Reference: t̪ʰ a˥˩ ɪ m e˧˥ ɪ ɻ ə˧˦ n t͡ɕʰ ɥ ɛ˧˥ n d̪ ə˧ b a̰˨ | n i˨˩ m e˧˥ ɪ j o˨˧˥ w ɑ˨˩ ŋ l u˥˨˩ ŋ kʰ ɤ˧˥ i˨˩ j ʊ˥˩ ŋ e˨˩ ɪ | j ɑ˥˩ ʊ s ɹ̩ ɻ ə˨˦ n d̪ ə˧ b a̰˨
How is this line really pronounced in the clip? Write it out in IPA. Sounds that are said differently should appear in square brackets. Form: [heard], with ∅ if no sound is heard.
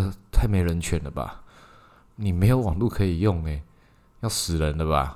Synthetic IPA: t̪ʰ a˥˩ ɪ m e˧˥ ɪ ɻ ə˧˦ n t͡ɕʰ ɥ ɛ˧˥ n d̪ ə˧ b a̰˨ | n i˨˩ m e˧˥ ɪ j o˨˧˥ w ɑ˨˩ ŋ l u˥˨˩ [∅] kʰ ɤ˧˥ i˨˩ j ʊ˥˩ ŋ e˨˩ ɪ | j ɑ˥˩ ʊ s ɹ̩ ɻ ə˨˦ n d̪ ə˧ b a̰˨